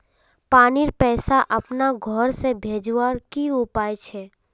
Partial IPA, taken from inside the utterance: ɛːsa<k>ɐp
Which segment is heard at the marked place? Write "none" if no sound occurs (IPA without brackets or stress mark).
ʔ